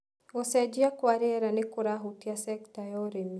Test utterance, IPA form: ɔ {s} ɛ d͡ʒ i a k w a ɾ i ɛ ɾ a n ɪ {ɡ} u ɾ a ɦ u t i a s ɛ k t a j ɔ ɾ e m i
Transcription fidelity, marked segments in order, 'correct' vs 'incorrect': correct, incorrect

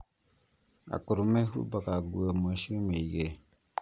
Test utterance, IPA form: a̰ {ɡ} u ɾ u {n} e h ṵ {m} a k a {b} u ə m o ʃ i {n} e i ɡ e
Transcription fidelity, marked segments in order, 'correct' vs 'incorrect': incorrect, incorrect, incorrect, incorrect, incorrect

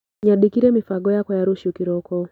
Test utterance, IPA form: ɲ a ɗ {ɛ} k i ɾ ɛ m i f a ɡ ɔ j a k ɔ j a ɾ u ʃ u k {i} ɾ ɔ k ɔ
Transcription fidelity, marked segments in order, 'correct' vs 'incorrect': incorrect, correct

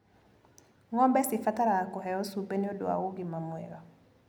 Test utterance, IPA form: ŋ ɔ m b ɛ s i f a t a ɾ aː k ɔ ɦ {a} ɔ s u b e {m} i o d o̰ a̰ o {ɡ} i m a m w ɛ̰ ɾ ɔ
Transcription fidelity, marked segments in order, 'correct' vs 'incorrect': incorrect, incorrect, correct

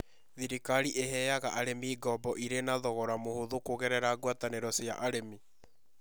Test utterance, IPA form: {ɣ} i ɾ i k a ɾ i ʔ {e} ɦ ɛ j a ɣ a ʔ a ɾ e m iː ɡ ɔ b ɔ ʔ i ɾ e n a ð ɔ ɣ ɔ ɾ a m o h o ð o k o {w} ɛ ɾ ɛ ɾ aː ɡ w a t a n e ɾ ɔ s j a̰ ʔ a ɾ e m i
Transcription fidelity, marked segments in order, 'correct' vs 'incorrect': incorrect, correct, incorrect

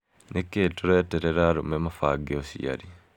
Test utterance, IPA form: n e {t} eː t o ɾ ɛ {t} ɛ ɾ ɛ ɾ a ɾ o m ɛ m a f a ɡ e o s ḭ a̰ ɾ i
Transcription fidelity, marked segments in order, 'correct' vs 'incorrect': incorrect, correct

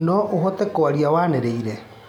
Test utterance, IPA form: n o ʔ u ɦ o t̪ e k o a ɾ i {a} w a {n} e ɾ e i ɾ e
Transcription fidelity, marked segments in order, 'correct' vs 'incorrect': correct, correct

